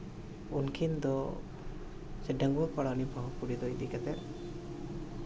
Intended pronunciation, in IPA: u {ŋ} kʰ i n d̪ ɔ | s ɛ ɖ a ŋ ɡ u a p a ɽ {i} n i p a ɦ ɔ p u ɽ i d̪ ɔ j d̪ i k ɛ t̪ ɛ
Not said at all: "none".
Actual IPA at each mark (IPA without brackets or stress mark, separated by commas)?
n, a